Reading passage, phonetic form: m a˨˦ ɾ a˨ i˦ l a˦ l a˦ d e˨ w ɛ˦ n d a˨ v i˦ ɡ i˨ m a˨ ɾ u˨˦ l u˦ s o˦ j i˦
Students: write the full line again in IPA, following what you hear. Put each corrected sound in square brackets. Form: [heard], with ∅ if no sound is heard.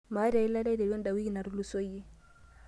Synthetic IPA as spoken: m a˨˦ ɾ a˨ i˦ l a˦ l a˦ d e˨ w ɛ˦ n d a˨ [w] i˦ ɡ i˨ [n] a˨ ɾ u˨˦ l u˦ s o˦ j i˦